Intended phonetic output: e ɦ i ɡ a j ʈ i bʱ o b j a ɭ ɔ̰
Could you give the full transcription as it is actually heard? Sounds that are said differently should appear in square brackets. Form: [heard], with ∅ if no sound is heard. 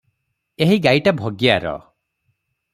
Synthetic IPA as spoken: e ɦ i ɡ a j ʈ [a] bʱ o [ɡ] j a [ɾ] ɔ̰